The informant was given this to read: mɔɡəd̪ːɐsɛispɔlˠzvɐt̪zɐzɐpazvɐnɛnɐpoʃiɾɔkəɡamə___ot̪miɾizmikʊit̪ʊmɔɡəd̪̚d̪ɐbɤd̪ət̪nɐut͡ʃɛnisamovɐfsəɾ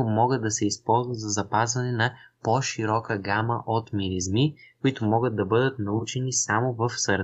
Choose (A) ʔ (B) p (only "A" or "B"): A